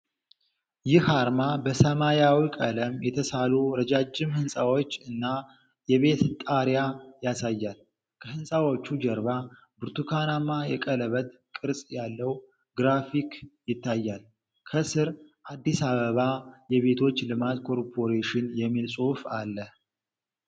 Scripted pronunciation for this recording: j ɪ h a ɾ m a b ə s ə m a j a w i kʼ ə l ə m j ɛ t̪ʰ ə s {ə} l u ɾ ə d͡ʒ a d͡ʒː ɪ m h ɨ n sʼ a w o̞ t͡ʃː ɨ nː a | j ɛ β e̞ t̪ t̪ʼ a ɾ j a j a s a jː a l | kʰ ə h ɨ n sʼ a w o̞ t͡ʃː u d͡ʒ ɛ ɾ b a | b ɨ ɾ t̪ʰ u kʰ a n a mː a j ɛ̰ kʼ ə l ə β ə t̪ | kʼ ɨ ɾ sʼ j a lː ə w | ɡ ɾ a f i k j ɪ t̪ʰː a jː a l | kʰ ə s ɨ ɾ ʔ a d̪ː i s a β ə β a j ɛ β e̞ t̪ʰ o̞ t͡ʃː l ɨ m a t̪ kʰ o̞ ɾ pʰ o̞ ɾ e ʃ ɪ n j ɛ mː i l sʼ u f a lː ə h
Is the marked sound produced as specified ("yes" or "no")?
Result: no